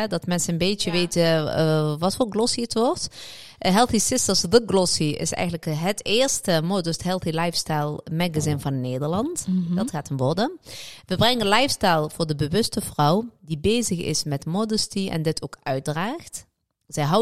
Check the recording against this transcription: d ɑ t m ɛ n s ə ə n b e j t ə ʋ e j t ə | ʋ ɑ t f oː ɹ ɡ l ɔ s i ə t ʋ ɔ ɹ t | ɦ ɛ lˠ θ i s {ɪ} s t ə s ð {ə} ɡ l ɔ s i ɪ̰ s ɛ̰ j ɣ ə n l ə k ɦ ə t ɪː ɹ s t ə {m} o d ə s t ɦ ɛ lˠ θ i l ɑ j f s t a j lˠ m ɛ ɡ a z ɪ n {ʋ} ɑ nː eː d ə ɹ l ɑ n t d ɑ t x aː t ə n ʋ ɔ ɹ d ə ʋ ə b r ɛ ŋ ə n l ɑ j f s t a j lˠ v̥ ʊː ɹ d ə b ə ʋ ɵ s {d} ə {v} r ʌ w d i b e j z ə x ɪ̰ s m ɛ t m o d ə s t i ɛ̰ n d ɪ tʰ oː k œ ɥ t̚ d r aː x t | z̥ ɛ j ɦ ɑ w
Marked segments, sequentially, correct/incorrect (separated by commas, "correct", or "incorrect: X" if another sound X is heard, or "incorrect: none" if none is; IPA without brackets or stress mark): correct, correct, correct, incorrect: v, incorrect: t, correct